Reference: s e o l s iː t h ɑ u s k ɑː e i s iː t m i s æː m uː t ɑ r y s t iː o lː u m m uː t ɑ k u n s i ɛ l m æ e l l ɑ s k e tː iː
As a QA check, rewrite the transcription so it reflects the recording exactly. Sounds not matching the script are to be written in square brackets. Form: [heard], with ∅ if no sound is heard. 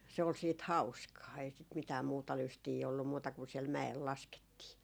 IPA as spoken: s e o l s iː t h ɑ u s k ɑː e i s [i] t m i [t] æː m uː t ɑ [l] y s t iː o lː u m m uː t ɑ k u n s i ɛ l m æ e l l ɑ s k e tː iː